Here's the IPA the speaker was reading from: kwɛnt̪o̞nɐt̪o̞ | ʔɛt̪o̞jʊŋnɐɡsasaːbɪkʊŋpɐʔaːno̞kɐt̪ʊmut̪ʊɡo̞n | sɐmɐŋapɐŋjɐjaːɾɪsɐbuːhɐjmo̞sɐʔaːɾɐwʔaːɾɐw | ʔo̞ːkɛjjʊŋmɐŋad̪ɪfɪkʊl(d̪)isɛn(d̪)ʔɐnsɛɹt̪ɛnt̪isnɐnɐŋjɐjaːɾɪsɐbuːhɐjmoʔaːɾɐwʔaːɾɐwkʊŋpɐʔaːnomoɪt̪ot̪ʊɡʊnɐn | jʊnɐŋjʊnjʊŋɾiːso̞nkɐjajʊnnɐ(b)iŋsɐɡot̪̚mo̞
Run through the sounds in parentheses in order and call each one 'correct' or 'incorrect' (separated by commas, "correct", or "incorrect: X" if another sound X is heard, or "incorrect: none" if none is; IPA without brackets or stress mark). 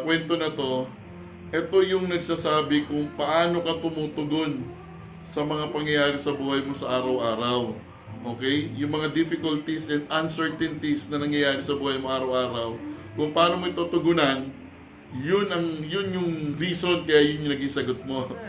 incorrect: t̪, correct, incorrect: ɡ